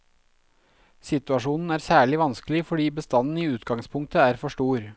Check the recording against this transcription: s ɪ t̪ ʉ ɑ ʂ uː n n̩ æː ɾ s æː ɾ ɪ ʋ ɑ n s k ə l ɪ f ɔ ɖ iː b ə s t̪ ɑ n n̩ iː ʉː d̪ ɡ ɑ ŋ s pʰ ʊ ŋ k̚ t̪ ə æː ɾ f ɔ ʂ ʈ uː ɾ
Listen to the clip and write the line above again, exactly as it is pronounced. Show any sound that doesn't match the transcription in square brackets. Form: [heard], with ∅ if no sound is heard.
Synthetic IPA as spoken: s ɪ t̪ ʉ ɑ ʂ uː n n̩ æː ɾ s æː [ɭ] ɪ ʋ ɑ n s k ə l ɪ f ɔ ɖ iː b ə s t̪ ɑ n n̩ iː ʉː [t̪] ɡ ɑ ŋ s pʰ ʊ ŋ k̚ t̪ ə æː ɾ f ɔ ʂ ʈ uː ɾ